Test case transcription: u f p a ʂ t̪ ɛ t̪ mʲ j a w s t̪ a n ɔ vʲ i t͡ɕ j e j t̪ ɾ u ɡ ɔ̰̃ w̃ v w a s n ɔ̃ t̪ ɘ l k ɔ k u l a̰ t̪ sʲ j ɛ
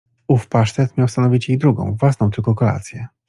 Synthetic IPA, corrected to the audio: u f p a ʂ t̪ ɛ t̪ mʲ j a w s t̪ a n ɔ vʲ i t͡ɕ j e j d̪ ɾ u ɡ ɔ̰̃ w̃ v w a s n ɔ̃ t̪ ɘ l k ɔ k ɔ l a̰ t̪ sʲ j ɛ